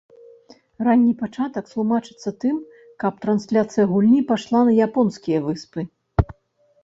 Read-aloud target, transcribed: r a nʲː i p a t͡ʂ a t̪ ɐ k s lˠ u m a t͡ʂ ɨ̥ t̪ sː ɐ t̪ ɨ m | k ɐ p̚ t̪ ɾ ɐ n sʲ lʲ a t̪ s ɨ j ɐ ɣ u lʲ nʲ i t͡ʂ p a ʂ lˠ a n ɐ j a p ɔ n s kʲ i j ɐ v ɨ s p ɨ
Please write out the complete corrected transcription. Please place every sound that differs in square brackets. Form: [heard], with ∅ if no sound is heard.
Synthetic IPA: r a nʲː i p a t͡ʂ a t̪ ɐ k s lˠ u m a t͡ʂ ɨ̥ t̪ sː ɐ t̪ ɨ m | k ɐ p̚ t̪ ɾ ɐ n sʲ lʲ a t̪ s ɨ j ɐ ɣ u lʲ nʲ i [∅] p a ʂ lˠ a n ɐ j a p ɔ n s kʲ i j ɐ v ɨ s p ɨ

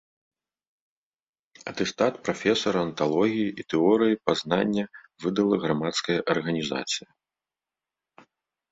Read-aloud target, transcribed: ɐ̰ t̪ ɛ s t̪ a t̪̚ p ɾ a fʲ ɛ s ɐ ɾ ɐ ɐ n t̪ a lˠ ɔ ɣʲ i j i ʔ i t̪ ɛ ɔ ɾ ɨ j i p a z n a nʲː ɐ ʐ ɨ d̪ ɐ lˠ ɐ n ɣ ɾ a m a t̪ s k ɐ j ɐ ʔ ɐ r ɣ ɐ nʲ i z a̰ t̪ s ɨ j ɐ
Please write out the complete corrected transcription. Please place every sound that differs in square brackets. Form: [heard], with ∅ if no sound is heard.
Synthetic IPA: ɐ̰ t̪ ɛ s t̪ a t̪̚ p ɾ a fʲ ɛ s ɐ ɾ ɐ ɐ n t̪ a lˠ ɔ ɣʲ i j i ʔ i t̪ ɛ ɔ ɾ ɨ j i p a z n a nʲː ɐ [v] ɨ d̪ ɐ lˠ ɐ [∅] ɣ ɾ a m a t̪ s k ɐ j ɐ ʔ ɐ r ɣ ɐ nʲ i z a̰ t̪ s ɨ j ɐ

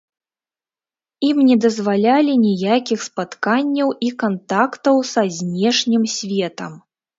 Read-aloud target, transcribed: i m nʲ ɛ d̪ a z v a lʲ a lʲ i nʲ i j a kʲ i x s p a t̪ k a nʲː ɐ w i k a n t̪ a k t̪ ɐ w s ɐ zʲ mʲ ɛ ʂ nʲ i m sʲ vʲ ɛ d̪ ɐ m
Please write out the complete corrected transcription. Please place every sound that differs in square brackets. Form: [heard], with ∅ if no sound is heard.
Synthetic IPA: i m nʲ ɛ d̪ [ɐ] z v a lʲ a lʲ i nʲ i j a kʲ i x s p a t̪ k a nʲː ɐ w i k a n t̪ a k t̪ ɐ w s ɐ zʲ [nʲ] ɛ ʂ nʲ i m sʲ vʲ ɛ [t̪] ɐ m

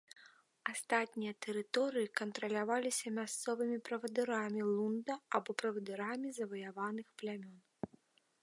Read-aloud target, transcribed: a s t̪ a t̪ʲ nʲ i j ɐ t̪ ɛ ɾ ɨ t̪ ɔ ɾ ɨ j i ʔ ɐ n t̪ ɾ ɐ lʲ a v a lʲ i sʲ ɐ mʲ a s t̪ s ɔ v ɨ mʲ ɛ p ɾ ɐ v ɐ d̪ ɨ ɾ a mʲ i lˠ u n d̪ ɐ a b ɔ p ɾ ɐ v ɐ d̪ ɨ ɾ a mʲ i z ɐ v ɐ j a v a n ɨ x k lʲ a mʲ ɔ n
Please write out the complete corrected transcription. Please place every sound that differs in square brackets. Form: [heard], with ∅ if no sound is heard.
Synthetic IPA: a s t̪ a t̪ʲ nʲ i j ɐ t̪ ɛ ɾ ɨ t̪ ɔ ɾ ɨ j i [k] ɐ n t̪ ɾ ɐ lʲ a v a lʲ i sʲ ɐ mʲ a s t̪ s ɔ v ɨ mʲ [i] p ɾ ɐ v ɐ d̪ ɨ ɾ a mʲ i lˠ u n d̪ ɐ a b ɔ p ɾ ɐ v ɐ d̪ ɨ ɾ a mʲ i z ɐ v ɐ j a v a n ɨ x [p] lʲ a mʲ ɔ n

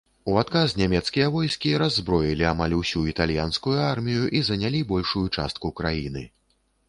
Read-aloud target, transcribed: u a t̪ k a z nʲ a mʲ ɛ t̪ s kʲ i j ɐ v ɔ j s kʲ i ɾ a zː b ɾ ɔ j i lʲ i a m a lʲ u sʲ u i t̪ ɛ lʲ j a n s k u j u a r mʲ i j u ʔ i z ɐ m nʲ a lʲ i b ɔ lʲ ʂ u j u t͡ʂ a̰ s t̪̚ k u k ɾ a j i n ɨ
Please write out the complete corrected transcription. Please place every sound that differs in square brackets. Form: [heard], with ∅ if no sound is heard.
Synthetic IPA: u a t̪ k a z nʲ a mʲ ɛ t̪ s kʲ i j ɐ v ɔ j s kʲ i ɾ a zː b ɾ ɔ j i lʲ i a m a lʲ u sʲ u i t̪ [a] lʲ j a n s k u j u a r mʲ i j u ʔ i z ɐ [∅] nʲ a lʲ i b ɔ lʲ ʂ u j u t͡ʂ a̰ s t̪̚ k u k ɾ a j i n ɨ

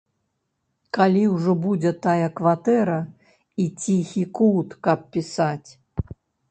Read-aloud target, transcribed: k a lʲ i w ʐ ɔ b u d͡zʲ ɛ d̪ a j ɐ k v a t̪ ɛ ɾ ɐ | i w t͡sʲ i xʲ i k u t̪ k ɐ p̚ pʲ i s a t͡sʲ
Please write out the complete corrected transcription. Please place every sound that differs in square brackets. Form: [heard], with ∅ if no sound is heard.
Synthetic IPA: k a lʲ i w ʐ ɔ b u d͡zʲ ɛ [t̪] a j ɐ k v a t̪ ɛ ɾ ɐ | i [∅] t͡sʲ i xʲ i k u t̪ k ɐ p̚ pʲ i s a t͡sʲ

